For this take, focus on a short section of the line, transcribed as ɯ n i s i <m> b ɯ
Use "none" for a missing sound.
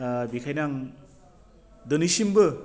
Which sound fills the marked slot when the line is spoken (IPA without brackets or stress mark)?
m